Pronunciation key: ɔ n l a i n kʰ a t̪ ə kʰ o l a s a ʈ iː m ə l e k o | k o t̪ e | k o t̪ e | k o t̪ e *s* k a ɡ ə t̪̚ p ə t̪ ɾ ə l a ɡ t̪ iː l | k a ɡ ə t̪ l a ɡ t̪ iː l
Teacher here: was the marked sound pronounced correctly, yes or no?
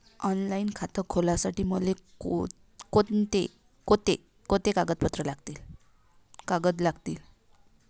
no